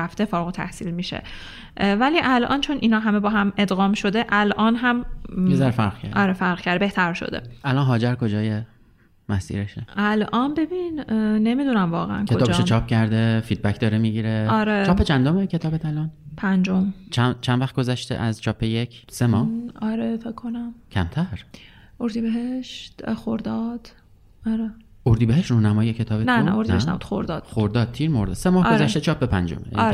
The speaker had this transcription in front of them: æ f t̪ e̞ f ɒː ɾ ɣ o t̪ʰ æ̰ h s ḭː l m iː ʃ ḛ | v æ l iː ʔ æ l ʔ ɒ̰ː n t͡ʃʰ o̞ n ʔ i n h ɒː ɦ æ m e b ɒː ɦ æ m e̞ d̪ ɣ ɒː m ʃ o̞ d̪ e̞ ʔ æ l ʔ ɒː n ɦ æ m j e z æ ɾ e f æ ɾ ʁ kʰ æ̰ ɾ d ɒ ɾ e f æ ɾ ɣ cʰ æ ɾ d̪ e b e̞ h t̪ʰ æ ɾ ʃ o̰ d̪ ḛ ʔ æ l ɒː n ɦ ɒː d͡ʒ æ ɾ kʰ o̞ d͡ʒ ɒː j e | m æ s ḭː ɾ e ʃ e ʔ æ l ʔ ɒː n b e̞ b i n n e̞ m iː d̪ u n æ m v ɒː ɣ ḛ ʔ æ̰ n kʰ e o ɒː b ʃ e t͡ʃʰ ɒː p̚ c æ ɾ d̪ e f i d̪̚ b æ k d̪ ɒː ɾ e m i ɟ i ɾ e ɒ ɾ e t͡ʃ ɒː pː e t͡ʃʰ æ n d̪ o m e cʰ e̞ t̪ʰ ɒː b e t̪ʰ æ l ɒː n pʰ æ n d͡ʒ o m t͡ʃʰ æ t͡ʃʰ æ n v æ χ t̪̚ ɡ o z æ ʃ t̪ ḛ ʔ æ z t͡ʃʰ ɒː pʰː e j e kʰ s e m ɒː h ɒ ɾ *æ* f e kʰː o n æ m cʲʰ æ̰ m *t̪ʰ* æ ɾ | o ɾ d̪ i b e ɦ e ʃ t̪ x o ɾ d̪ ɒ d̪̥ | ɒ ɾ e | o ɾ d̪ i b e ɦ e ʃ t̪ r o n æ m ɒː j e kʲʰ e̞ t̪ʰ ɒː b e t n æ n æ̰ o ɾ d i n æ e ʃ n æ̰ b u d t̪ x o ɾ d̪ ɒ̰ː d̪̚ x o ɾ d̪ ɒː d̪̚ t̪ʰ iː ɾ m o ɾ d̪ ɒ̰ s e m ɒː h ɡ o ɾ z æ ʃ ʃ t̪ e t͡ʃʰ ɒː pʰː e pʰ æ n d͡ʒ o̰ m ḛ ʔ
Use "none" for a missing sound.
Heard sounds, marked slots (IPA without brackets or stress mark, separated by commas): e, t̪ʰ